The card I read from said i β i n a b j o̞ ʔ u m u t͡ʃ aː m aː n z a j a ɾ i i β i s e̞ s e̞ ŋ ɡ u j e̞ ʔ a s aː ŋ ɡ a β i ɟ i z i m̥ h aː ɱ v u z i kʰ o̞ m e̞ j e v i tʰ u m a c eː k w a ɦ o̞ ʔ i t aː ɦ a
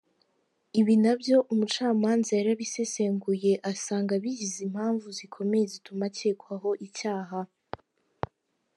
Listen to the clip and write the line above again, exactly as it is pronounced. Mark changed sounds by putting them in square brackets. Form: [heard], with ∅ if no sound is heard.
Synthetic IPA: i β i n a b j o̞ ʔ u m u t͡ʃ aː m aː n z a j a ɾ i [a] β i s e̞ s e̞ ŋ ɡ u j e̞ ʔ a s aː ŋ ɡ a β i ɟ i z i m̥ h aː ɱ v u z i kʰ o̞ m e̞ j e [z] i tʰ u m a c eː k w a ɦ o̞ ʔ i [c] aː ɦ a